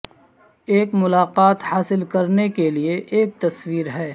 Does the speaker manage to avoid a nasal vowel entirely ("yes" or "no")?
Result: yes